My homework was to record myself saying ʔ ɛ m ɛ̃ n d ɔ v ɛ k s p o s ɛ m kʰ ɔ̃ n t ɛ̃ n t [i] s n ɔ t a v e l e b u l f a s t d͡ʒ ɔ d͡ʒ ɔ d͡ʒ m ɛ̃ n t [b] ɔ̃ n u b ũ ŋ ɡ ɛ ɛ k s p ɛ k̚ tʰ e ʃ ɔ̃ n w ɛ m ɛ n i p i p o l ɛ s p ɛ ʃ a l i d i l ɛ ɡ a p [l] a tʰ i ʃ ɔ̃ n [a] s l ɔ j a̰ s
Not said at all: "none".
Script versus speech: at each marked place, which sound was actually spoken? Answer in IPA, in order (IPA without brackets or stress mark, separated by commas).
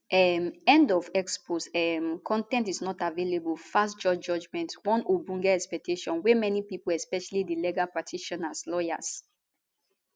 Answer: i, w, ɹ, a